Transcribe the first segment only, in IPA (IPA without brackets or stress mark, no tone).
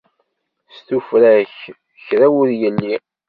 s